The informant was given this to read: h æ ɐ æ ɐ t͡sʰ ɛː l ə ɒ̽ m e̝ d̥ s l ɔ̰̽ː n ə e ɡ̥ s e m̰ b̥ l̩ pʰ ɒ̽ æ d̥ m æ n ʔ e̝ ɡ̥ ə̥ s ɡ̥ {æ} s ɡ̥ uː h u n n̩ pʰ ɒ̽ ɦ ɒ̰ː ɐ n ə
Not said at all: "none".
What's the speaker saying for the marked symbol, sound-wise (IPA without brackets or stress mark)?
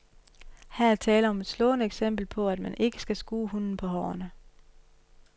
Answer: æ